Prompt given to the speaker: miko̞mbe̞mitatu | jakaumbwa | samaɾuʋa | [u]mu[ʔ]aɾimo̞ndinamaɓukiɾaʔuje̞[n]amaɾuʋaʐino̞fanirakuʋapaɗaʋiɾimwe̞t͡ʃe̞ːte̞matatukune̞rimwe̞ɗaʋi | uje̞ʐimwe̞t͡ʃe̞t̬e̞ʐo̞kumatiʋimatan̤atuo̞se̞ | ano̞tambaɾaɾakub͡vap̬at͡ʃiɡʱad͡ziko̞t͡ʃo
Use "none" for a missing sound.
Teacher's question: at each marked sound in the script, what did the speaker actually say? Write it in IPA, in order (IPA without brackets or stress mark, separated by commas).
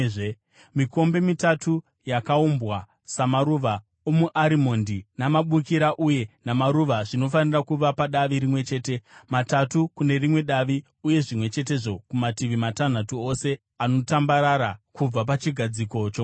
o, ʔ, n